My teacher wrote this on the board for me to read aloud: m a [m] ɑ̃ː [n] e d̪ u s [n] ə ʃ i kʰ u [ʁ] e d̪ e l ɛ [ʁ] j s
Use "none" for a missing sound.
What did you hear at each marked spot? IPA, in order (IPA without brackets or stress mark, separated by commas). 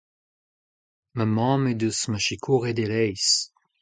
m, m, m, ʁ, none